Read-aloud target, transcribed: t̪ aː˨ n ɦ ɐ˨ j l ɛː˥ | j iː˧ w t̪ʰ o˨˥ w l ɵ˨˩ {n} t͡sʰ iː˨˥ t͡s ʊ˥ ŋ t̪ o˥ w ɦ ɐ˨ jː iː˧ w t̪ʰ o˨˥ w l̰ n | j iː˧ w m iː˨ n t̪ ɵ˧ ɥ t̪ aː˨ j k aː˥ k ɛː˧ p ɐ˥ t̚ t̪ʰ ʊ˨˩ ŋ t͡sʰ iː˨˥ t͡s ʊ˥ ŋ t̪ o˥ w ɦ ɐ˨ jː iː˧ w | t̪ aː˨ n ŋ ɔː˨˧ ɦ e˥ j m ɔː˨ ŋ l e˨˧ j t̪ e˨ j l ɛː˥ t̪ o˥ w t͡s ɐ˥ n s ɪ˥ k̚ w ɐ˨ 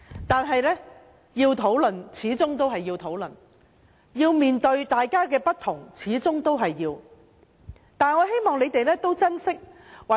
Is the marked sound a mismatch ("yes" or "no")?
no